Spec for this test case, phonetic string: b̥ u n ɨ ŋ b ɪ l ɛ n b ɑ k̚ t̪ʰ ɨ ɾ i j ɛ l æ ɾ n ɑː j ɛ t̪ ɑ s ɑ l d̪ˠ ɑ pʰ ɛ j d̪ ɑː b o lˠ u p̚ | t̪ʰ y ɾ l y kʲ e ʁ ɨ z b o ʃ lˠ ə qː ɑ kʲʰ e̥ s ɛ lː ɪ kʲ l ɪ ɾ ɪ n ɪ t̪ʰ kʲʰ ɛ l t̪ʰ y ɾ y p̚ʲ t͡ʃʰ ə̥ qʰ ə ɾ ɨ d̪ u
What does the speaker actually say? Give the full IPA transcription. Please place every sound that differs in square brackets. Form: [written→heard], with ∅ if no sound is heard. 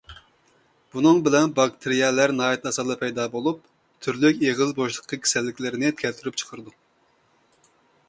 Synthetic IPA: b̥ u n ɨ ŋ b ɪ l ɛ n b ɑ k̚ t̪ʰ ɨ ɾ i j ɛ l æ ɾ n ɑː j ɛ t̪ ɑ s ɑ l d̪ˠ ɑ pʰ ɛ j d̪ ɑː b o lˠ u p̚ | t̪ʰ y ɾ l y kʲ e ʁ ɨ z b o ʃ lˠ ə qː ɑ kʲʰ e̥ s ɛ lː ɪ kʲ l ɪ ɾ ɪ n ɪ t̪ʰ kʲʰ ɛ l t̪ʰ y ɾ y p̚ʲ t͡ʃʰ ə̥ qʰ ə ɾ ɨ d̪ u